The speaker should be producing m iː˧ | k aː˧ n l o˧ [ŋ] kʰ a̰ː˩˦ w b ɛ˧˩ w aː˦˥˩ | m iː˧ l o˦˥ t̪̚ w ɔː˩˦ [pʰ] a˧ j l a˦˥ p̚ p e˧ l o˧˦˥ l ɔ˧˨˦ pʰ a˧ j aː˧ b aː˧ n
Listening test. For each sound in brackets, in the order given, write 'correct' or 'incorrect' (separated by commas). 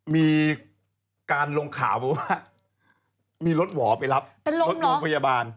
correct, incorrect